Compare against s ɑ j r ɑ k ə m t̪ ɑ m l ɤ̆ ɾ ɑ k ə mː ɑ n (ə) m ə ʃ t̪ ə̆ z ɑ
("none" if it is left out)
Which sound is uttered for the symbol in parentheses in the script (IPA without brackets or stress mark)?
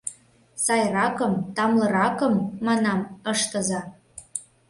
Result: ɑ